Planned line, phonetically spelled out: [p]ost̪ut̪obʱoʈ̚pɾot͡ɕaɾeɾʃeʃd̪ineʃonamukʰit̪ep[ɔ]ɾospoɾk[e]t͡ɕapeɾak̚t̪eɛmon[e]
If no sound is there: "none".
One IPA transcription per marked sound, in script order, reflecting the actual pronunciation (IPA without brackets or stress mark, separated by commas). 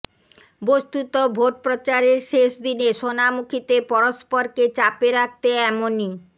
b, ɔ, e, i